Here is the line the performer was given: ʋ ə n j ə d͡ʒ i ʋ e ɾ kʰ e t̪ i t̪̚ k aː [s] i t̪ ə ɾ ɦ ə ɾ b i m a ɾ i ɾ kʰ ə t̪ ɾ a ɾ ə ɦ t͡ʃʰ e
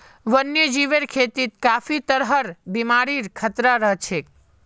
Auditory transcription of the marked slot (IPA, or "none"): f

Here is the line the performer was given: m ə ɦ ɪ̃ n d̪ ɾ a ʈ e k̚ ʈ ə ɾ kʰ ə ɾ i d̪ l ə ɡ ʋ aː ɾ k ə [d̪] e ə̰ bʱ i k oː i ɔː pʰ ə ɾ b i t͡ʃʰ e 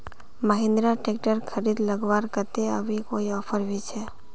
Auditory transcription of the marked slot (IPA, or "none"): t̪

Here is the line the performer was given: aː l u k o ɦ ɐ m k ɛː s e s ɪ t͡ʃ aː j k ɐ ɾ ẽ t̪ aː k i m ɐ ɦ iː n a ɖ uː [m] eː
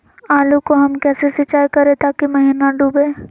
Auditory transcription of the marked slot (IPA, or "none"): b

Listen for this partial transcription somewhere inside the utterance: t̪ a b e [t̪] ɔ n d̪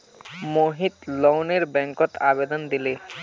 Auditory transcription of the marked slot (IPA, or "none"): d̪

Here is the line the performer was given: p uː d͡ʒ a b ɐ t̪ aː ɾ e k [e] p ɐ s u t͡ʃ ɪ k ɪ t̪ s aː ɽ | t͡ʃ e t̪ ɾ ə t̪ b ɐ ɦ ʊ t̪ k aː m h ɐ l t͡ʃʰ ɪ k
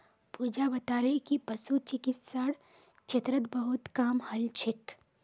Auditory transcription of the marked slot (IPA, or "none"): i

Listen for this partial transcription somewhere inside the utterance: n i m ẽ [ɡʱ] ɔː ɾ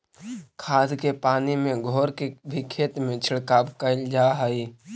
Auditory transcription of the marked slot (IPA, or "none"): ɡʱ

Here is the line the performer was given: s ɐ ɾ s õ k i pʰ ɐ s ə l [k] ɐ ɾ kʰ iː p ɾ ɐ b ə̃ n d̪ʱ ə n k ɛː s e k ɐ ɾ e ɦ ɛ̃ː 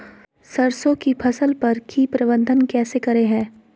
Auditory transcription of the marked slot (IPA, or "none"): p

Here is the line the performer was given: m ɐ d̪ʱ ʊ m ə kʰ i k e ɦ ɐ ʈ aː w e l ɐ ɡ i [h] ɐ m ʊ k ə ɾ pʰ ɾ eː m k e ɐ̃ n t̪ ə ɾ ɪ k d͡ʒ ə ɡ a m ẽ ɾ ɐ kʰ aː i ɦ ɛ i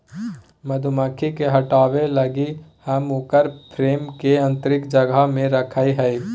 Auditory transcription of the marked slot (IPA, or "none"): h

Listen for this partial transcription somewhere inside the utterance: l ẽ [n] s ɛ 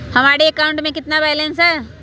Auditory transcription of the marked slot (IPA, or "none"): n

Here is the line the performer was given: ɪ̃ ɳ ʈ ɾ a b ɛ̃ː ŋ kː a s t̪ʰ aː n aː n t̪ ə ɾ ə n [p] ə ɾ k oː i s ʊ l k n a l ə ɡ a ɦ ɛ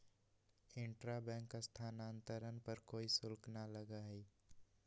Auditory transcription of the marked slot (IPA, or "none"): p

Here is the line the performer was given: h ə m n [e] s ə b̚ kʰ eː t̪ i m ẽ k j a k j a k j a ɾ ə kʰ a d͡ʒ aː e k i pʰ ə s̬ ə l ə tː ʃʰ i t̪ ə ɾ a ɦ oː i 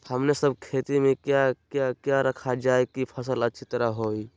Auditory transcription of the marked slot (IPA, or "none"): e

